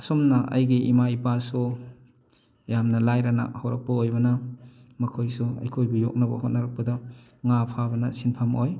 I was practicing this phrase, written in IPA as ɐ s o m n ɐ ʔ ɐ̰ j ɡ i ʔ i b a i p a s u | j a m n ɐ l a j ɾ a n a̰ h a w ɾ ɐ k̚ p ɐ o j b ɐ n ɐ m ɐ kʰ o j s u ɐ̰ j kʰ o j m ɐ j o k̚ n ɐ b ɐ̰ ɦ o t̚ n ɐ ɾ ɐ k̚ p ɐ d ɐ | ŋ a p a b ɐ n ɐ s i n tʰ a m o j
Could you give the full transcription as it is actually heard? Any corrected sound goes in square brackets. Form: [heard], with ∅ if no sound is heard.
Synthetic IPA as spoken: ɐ s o m n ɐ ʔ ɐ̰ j ɡ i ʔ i [m] a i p a s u | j a m n ɐ l a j ɾ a n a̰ h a w ɾ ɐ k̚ p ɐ o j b ɐ n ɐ m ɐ kʰ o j s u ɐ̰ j kʰ o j [b] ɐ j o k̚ n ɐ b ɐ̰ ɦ o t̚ n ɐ ɾ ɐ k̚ p ɐ d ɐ | ŋ a [pʰ] a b ɐ n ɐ s i n [pʰ] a m o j